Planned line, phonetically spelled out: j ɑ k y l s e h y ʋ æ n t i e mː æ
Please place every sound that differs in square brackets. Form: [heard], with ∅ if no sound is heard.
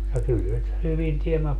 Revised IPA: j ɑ k y l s e h y ʋ [i] n t i e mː æ